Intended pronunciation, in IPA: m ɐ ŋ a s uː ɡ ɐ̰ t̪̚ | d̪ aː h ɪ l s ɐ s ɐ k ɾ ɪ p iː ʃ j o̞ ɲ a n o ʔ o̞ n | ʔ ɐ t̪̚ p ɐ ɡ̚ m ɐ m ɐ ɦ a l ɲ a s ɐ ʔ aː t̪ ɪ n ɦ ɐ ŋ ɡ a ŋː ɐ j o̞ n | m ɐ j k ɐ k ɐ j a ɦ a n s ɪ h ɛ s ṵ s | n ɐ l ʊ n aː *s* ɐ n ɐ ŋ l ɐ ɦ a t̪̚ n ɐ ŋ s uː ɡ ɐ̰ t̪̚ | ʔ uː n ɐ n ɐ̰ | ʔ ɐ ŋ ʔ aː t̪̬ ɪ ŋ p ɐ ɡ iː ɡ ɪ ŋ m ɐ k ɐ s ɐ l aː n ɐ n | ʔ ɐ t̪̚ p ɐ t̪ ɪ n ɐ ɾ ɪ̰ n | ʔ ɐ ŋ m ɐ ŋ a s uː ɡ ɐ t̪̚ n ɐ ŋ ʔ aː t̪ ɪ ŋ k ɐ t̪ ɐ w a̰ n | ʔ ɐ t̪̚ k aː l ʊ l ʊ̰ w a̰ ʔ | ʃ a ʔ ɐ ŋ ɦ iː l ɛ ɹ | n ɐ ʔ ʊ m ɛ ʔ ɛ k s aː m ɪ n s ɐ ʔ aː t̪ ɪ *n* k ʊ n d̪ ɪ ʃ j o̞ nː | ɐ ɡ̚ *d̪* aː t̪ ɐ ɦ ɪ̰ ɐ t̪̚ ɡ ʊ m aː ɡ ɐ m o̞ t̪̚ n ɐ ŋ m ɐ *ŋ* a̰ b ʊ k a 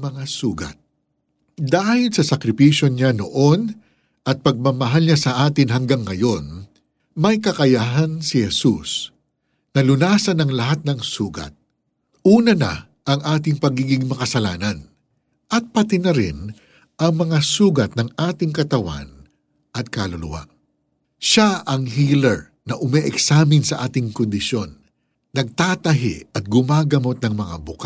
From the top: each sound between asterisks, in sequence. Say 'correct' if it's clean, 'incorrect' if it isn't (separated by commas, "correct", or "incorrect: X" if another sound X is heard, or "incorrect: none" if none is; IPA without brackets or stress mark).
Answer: correct, incorrect: ŋ, incorrect: t̪, correct